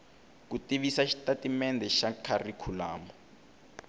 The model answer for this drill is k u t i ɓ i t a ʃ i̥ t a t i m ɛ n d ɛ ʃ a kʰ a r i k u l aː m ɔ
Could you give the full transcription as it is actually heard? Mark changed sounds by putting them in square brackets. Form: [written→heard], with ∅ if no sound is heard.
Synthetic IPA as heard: k u t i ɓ i [t→s] a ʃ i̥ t a t i m ɛ n d ɛ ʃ a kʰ a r i [k→kʰ] u l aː m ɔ